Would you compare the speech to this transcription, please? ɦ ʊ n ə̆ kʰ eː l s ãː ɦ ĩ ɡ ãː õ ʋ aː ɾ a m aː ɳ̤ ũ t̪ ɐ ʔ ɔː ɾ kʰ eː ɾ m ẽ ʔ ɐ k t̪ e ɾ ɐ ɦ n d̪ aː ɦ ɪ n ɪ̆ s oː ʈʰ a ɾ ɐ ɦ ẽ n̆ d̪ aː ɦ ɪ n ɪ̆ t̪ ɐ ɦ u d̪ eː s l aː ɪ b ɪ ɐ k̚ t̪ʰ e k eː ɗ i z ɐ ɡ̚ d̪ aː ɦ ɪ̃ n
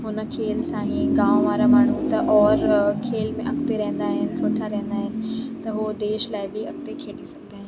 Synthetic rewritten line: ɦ ʊ n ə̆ kʰ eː l s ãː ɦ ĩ ɡ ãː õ ʋ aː ɾ a m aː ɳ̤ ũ t̪ ɐ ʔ ɔː ɾ kʰ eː l m ẽ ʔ ɐ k t̪ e ɾ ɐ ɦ n d̪ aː ɦ ɪ n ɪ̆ s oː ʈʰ a ɾ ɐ ɦ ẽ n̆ d̪ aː ɦ ɪ n ɪ̆ t̪ ɐ ɦ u d̪ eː ʃ l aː ɪ b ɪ ɐ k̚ t̪ e kʰ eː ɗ i s ɐ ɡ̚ d̪ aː ɦ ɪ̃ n